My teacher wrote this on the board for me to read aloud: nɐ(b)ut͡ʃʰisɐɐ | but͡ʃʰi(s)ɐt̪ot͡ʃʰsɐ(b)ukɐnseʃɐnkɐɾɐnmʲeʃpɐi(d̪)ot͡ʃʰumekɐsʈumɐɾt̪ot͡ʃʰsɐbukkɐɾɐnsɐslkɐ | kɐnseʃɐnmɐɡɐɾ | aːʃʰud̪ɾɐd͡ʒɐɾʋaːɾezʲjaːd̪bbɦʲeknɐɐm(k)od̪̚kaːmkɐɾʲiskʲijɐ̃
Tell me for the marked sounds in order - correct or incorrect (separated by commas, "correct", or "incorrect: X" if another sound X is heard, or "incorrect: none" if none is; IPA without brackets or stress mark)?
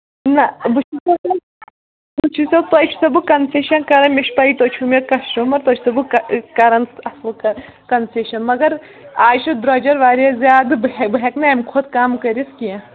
correct, correct, correct, incorrect: t̪, incorrect: kʰ